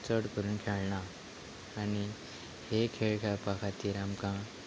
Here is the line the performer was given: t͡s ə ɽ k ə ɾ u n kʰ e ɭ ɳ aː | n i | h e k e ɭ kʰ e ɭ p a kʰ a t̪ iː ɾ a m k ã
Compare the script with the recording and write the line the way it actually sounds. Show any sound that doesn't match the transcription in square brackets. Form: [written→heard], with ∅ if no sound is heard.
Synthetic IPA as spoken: t͡s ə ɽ k ə ɾ [u→uː] n kʰ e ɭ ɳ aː | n i | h e [k→kʰ] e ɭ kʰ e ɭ p a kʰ a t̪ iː ɾ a m k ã